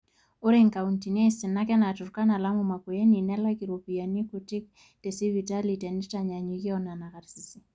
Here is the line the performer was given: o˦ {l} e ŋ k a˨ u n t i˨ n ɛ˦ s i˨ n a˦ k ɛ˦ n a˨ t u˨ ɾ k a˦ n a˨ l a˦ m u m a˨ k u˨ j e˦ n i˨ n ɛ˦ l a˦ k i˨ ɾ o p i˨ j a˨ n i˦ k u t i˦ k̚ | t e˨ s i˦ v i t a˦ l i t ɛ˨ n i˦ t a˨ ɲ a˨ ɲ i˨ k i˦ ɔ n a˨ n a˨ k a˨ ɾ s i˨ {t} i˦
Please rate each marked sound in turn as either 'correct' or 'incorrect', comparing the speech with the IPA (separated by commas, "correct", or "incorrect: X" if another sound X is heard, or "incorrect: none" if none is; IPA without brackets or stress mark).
incorrect: ɾ, incorrect: s